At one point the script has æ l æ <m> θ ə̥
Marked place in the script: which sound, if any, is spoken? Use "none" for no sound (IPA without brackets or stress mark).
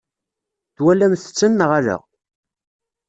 m